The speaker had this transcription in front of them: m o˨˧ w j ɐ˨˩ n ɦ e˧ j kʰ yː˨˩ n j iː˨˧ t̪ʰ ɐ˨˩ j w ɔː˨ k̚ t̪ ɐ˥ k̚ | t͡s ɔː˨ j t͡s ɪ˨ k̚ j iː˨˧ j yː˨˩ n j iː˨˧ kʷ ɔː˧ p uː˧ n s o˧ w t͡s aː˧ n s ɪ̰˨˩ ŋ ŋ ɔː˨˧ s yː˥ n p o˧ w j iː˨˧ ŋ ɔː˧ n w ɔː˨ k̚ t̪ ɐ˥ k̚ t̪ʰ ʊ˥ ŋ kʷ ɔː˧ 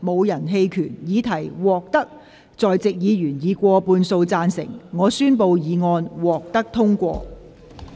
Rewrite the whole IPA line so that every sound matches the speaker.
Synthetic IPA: m o˨˧ w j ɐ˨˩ n ɦ e˧ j kʰ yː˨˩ n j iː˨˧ t̪ʰ ɐ˨˩ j w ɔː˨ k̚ t̪ ɐ˥ k̚ | t͡s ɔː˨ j t͡s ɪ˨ k̚ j iː˨˧ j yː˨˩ n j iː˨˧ kʷ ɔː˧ p uː˧ n s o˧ w t͡s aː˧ n s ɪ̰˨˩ ŋ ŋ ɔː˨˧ s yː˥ n p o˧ w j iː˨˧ ŋ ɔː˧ n w ɔː˨ k̚ t̪ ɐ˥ k̚ t̪ʰ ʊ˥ ŋ kʷ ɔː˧